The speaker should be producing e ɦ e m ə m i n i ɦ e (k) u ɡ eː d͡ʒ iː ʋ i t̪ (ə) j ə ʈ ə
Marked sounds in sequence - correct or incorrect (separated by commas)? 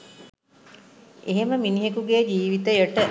correct, correct